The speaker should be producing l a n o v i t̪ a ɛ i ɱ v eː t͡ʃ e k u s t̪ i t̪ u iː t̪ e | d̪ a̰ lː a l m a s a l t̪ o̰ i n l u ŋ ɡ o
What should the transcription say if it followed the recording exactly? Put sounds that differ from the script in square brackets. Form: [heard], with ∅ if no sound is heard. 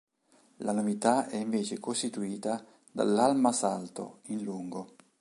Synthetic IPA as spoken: l a n o v i t̪ a ɛ i ɱ v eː t͡ʃ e k [o] s t̪ i t̪ u iː t̪ [a] | d̪ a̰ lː a l m a s a l t̪ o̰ i n l u ŋ ɡ o